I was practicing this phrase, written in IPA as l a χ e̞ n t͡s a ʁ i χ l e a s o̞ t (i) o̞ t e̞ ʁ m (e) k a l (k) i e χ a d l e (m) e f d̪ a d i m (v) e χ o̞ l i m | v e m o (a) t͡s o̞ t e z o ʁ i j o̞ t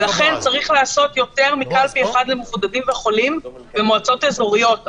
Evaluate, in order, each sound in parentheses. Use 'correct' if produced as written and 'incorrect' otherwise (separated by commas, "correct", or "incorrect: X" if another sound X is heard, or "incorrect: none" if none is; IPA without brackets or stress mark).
incorrect: j, incorrect: i, incorrect: p, correct, correct, correct